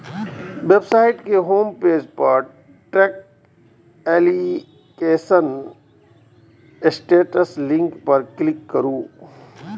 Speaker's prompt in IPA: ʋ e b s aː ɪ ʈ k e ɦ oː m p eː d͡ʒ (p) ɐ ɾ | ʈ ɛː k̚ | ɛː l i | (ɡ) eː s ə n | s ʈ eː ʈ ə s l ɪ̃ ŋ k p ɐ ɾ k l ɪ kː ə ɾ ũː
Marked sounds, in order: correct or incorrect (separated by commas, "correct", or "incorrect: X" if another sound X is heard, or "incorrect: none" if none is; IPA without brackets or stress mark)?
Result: correct, incorrect: k